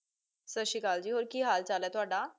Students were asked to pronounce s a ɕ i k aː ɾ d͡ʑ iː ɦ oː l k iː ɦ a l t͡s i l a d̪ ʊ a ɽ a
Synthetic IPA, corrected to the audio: s ə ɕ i k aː l d͡ʑ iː ɦ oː ɾ k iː ɦ a l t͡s a l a t̪ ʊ a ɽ a